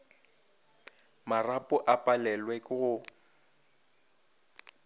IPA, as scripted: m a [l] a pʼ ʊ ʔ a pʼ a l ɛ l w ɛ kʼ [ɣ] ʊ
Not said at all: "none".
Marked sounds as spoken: r, ɣ

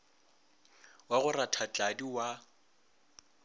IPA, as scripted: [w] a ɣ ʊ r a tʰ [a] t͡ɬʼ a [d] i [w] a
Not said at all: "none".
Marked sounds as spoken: w, a, d, w

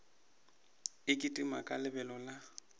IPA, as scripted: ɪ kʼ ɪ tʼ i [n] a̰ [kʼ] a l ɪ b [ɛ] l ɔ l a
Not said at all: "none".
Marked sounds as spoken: m, kʼ, ɛ

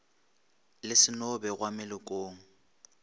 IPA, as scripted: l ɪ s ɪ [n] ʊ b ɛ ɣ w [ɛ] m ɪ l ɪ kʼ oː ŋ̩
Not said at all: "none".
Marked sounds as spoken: n, a

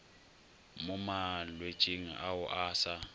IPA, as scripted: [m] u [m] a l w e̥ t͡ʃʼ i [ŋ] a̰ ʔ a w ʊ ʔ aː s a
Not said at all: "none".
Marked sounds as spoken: m, m, ŋ

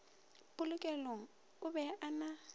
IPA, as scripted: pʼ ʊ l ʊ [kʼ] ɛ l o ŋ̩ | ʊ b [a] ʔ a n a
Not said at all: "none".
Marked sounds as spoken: kʼ, ɛ

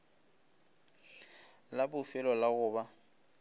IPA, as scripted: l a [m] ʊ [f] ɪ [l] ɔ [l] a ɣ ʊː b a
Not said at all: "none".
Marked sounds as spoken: b, f, l, l

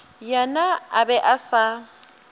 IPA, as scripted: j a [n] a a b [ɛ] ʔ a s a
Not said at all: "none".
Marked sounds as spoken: n, ɛ

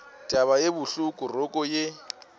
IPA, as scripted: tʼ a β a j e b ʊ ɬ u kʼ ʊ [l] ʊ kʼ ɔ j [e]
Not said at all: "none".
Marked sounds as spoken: r, e

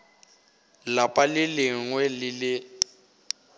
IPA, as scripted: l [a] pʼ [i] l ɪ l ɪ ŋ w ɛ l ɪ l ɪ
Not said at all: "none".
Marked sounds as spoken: a, a

